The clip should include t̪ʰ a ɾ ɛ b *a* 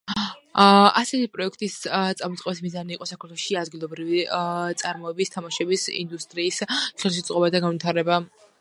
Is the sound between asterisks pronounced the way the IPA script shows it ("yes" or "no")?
yes